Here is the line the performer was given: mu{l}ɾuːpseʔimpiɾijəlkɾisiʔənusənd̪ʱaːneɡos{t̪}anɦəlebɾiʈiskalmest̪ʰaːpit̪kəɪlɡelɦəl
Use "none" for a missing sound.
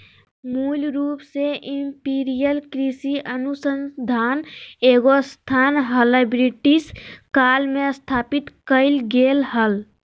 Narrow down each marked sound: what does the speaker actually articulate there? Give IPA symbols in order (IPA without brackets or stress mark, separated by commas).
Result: l, t̪ʰ